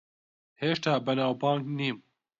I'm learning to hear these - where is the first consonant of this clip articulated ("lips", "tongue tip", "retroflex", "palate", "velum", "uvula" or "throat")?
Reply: throat